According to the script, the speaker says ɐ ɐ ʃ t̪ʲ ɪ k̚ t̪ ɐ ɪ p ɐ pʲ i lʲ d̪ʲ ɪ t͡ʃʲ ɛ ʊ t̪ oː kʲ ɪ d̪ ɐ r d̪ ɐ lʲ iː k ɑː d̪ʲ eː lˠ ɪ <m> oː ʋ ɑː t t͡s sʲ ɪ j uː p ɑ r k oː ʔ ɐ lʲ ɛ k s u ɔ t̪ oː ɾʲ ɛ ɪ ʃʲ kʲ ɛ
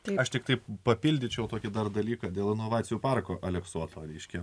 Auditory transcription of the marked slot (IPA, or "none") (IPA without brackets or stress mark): n